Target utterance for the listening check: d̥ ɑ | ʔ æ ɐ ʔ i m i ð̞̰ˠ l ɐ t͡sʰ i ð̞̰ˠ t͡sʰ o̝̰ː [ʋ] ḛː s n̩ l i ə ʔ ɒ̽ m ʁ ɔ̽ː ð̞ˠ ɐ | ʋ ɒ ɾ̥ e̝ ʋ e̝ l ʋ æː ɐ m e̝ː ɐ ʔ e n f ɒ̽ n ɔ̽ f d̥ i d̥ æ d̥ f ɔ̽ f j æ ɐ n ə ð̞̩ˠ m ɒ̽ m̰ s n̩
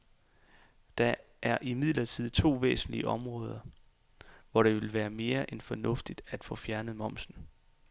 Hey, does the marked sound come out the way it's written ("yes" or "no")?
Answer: yes